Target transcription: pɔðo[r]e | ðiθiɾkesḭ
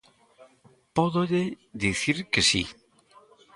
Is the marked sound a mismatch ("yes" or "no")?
yes